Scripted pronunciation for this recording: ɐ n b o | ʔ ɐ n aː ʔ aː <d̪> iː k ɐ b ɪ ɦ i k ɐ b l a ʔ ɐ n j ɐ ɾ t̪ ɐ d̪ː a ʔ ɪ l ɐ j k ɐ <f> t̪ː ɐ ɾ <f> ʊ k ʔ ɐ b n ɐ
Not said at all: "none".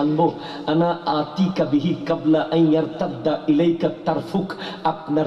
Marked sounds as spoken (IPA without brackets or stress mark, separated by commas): t̪, none, f